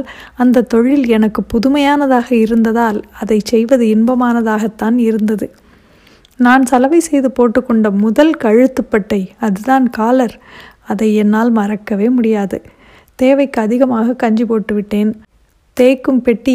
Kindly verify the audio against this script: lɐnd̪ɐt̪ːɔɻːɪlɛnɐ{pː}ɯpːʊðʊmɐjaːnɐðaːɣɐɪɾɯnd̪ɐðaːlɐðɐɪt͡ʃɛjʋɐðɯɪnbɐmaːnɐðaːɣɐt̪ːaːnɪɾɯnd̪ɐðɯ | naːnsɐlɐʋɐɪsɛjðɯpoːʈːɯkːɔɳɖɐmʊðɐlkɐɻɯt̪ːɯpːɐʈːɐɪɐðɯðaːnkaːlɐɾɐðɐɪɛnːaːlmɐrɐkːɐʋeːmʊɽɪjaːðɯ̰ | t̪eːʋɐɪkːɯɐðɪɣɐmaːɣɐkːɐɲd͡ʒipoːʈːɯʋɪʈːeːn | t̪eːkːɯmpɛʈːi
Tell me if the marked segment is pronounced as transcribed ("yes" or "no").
no